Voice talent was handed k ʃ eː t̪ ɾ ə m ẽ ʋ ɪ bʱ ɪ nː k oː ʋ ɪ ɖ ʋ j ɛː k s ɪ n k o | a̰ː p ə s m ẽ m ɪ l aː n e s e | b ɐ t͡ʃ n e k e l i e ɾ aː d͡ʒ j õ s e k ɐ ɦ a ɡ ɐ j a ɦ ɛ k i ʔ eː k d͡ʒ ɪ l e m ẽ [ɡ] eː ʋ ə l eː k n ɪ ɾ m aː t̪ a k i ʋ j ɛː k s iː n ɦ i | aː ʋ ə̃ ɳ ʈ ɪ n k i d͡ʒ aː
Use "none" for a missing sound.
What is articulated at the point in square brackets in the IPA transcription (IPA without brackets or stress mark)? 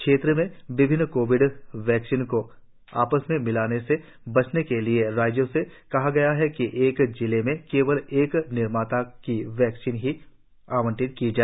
k